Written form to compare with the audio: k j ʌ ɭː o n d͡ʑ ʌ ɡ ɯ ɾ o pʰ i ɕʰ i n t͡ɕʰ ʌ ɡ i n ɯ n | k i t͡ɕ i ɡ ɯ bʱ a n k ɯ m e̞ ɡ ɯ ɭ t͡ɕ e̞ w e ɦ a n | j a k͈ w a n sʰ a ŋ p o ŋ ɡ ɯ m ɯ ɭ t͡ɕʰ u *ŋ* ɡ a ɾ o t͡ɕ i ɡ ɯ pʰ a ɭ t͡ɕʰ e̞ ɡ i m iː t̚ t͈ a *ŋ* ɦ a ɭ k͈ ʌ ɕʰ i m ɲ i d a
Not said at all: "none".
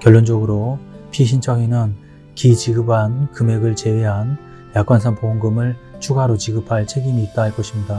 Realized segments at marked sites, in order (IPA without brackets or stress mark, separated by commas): none, none